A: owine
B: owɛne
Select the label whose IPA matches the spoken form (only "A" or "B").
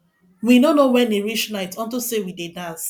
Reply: B